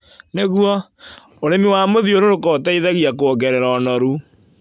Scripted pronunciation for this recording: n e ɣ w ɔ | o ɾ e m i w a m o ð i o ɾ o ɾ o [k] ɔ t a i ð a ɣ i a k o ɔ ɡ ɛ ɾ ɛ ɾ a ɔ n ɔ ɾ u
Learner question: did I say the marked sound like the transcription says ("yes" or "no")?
yes